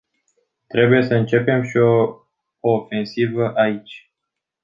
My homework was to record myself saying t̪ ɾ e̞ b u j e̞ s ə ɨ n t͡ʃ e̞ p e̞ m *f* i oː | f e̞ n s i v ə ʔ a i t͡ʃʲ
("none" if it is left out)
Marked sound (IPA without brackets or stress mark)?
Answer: ʃ